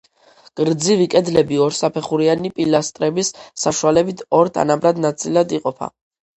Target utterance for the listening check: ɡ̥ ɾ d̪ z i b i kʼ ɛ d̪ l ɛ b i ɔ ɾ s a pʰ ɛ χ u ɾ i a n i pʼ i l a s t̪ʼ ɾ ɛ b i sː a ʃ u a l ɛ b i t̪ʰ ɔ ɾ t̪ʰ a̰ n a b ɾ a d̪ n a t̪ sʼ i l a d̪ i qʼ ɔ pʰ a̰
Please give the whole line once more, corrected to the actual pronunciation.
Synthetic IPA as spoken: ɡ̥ ɾ d̪ z i v i kʼ ɛ d̪ l ɛ b i ɔ ɾ s a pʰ ɛ χ u ɾ i a n i pʼ i l a s t̪ʼ ɾ ɛ b i sː a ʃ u a l ɛ b i t̪ʰ ɔ ɾ t̪ʰ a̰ n a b ɾ a d̪ n a t̪ sʼ i l a d̪ i qʼ ɔ pʰ a̰